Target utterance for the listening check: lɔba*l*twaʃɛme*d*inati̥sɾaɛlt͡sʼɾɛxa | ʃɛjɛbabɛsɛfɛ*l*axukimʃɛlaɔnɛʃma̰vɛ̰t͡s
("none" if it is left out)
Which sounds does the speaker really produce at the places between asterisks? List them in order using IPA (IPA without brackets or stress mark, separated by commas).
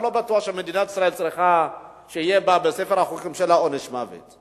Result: none, d, ɾ